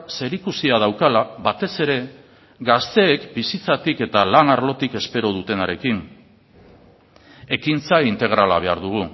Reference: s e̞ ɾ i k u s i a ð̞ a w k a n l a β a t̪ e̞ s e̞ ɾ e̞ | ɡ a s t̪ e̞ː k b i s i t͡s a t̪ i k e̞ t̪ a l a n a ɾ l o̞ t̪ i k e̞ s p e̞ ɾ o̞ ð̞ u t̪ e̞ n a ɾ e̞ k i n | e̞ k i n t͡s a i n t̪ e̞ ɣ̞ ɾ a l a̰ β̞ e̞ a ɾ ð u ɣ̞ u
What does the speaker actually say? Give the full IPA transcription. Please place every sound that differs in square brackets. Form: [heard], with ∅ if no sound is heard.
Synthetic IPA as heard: s e̞ ɾ i k u s i a ð̞ a w k a [∅] l a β a t̪ e̞ s e̞ ɾ e̞ | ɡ a s t̪ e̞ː k b i s i t͡s a t̪ i k e̞ t̪ a l a n a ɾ l o̞ t̪ i k e̞ s p e̞ ɾ o̞ ð̞ u t̪ e̞ n a ɾ e̞ k i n | e̞ k i n t͡s a i n t̪ e̞ ɣ̞ ɾ a l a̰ β̞ e̞ a ɾ ð u ɣ̞ u